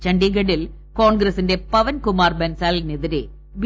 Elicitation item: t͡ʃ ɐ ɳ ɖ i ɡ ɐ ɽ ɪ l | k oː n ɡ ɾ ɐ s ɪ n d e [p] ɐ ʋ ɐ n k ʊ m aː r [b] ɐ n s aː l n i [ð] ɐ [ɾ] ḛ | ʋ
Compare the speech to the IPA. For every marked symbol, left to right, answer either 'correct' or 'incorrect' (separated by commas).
correct, correct, correct, correct